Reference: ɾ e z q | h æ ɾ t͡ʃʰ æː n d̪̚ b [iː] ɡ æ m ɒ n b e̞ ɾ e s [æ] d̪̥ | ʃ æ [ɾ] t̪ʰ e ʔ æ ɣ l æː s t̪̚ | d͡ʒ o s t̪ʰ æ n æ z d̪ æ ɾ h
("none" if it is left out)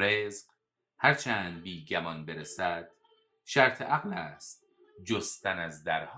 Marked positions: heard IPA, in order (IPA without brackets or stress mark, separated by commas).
iː, æ, ɾ